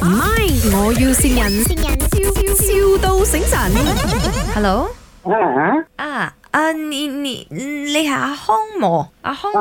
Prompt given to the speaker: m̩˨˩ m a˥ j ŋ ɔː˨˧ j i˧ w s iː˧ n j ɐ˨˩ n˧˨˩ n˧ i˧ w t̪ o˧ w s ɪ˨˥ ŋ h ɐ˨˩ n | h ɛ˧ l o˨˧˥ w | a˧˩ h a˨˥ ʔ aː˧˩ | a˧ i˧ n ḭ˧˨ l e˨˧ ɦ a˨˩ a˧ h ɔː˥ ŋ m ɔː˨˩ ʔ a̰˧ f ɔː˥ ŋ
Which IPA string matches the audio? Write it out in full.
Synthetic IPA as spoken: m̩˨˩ m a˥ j ŋ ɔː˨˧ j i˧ w s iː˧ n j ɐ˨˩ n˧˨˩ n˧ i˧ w t̪ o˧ w s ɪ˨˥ ŋ s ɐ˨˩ n | h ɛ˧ l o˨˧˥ w | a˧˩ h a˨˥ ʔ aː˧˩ | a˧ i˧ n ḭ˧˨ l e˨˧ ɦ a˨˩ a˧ h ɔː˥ ŋ m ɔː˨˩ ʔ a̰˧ h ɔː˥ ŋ